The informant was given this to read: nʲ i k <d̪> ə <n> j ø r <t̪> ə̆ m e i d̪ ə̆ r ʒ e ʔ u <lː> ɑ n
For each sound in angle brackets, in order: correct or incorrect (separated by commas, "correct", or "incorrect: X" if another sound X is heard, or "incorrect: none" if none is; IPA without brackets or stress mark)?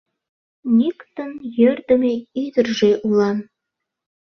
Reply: incorrect: t̪, correct, incorrect: d̪, incorrect: l